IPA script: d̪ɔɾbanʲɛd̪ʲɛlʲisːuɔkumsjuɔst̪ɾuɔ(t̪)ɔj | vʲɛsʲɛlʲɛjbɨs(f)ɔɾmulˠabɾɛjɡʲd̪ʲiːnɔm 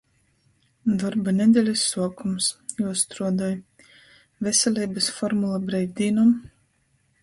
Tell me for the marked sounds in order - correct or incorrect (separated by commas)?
incorrect, correct